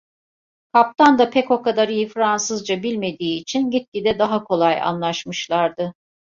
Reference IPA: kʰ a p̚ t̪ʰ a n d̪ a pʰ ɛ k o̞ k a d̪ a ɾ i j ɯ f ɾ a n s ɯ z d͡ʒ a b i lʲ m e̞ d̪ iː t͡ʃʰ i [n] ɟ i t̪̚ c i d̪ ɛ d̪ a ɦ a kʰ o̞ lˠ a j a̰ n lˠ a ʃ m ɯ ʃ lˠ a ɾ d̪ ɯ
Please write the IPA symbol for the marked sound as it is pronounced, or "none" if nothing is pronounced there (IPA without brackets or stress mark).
n